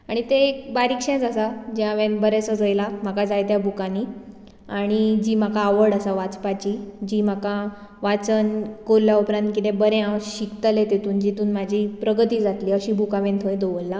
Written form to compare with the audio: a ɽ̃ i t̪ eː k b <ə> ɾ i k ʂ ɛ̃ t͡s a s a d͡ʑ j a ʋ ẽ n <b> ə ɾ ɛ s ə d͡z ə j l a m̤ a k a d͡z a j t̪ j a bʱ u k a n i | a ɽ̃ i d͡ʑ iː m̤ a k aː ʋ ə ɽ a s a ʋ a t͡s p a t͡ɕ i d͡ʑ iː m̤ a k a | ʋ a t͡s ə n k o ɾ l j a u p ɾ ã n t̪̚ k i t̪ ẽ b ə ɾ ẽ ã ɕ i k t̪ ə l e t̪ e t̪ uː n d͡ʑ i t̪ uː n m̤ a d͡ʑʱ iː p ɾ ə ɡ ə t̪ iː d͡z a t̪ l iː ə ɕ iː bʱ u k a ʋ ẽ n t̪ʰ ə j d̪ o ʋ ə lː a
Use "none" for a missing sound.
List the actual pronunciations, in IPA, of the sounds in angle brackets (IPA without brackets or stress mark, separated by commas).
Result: a, b